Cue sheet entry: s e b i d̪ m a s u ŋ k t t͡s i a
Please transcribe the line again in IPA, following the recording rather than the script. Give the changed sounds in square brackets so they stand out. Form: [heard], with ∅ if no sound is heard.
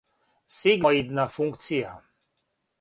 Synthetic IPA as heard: s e [ɡ] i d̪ [n] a [f] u ŋ k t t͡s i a